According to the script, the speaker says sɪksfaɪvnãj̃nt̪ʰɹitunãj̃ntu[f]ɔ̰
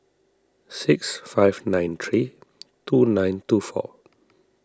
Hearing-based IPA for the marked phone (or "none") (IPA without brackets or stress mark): f